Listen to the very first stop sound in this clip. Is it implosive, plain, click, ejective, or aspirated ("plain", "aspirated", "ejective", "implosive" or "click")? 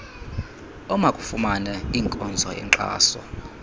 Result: ejective